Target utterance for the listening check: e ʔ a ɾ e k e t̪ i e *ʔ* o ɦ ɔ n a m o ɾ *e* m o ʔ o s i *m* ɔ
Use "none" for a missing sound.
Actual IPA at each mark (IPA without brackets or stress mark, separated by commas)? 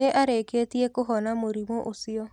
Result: k, i, none